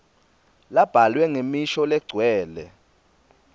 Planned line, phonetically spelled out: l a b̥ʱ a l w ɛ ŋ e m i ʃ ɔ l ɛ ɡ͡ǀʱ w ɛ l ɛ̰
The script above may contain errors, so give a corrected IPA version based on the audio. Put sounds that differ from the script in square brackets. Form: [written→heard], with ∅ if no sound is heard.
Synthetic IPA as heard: l a b̥ʱ a l w ɛ ŋ e m i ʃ ɔ l ɛ ɡ͡ǀʱ w [ɛ→ɛː] l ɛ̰